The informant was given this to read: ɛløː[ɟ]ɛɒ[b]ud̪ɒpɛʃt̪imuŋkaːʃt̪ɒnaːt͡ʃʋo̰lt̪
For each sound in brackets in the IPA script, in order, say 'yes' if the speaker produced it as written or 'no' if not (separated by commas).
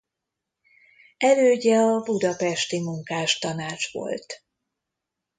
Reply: yes, yes